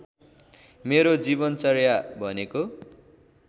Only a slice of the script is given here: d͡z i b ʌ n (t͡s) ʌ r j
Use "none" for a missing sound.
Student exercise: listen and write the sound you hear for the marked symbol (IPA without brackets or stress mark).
t͡s